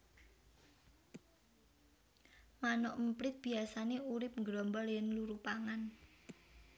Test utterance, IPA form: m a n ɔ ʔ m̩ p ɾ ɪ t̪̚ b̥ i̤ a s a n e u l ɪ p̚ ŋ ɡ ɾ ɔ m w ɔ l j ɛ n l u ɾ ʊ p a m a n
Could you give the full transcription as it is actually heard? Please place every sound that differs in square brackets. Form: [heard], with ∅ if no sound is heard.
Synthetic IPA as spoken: m a n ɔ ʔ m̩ p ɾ ɪ t̪̚ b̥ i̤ a s a n e u [ɾ] ɪ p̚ ŋ ɡ ɾ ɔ m [b] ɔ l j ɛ n l u ɾ [u] p a [ŋ] a n